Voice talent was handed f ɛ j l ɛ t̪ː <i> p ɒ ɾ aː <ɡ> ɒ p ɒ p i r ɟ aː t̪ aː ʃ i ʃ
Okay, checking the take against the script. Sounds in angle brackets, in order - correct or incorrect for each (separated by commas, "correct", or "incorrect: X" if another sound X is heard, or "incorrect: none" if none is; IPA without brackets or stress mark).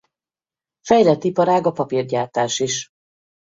correct, correct